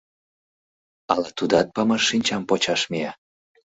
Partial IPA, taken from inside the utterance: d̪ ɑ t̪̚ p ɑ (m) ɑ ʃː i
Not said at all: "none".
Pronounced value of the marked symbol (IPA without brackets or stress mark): m